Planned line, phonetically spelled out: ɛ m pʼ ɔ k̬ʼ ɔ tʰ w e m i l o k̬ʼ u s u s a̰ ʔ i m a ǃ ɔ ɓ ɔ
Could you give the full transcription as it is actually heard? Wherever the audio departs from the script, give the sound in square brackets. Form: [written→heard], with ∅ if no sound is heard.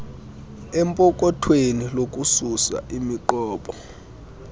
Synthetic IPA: ɛ m pʼ ɔ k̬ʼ ɔ tʰ w e [m→n] i l o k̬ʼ u s u s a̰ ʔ i m [a→i] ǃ [ɔ→ɔː] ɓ ɔ